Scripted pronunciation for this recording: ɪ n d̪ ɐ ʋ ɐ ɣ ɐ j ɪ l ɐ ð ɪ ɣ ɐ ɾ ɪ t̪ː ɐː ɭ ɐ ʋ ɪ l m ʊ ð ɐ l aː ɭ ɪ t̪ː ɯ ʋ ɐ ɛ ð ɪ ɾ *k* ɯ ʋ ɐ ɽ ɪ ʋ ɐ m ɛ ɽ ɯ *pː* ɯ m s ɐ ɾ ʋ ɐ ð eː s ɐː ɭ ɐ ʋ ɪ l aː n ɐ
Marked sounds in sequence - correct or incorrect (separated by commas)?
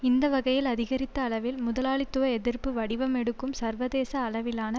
incorrect, incorrect